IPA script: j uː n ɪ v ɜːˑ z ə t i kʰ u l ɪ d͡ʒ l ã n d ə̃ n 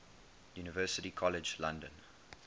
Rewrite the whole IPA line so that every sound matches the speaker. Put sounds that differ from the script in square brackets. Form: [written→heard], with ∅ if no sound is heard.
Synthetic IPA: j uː n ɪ v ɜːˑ [z→s] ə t i kʰ [u→ɔ] l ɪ d͡ʒ l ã n d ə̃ n